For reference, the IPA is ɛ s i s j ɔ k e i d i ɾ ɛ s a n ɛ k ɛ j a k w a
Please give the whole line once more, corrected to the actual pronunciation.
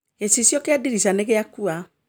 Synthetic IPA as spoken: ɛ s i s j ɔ k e a d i ɾ i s a n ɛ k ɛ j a k u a